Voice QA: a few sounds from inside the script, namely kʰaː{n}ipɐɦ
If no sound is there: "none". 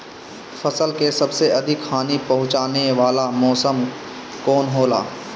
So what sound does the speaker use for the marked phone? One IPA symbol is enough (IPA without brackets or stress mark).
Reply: n